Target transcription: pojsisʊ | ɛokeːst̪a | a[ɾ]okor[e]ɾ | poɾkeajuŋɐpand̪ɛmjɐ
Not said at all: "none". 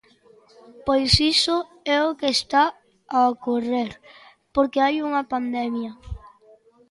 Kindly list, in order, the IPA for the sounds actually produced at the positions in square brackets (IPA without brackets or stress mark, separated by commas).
none, e